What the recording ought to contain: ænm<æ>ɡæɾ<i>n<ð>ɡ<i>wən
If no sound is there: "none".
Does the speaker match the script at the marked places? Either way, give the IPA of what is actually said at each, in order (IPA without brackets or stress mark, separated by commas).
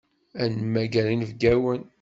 æ, i, v, æ